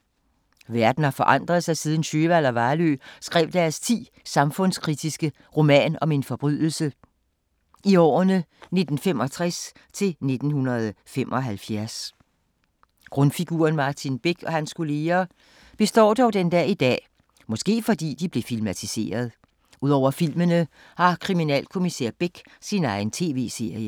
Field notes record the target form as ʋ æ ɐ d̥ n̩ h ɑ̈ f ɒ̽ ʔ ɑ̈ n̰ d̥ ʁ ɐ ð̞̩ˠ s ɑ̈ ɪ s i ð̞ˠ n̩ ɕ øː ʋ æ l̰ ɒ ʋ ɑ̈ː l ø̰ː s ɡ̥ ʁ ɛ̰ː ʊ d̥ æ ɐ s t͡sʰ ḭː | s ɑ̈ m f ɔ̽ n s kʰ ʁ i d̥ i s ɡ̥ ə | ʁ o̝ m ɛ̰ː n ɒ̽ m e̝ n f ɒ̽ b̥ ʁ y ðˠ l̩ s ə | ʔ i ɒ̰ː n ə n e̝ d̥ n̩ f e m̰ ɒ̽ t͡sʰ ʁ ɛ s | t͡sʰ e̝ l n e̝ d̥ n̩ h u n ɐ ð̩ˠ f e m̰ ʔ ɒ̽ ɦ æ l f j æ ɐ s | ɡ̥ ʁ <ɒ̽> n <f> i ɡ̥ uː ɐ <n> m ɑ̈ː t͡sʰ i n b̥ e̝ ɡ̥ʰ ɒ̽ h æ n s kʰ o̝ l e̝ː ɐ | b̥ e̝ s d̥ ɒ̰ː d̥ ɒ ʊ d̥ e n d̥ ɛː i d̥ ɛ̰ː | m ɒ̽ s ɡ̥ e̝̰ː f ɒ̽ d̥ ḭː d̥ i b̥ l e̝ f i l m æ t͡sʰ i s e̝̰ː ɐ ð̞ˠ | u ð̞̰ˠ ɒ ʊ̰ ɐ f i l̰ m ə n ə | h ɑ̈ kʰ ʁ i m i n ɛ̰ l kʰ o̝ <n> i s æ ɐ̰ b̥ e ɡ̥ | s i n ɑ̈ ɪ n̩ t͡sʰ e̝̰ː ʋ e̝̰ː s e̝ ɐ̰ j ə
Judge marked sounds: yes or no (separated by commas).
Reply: no, yes, yes, no